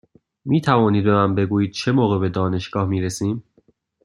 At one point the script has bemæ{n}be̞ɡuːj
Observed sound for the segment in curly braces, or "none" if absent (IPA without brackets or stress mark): m